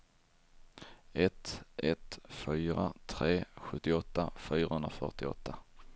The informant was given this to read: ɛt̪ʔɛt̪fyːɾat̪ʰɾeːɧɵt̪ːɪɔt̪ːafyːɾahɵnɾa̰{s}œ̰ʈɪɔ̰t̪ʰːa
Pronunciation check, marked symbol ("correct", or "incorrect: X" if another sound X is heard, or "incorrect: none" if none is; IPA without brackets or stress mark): incorrect: f